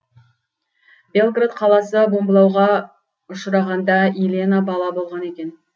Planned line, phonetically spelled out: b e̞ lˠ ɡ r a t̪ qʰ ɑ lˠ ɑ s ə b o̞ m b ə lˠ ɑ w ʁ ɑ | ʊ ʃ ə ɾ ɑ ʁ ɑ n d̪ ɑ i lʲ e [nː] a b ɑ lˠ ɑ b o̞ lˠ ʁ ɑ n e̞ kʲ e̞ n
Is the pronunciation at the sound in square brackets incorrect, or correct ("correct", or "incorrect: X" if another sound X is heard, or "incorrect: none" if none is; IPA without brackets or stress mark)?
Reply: incorrect: n